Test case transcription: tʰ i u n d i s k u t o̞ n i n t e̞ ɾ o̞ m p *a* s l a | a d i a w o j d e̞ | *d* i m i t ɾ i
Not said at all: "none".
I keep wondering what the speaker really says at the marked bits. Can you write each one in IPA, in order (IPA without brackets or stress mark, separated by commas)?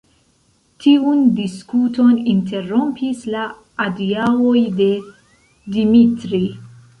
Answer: i, d